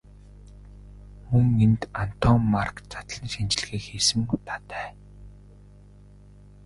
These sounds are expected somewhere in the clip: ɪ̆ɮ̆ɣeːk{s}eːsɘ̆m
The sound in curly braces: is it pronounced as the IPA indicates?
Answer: no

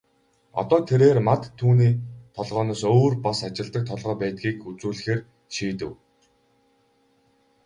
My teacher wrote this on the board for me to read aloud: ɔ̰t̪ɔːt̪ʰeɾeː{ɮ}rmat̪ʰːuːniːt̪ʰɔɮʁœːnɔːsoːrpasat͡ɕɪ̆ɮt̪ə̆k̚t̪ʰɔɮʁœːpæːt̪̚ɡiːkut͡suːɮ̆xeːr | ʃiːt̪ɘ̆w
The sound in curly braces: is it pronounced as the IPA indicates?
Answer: no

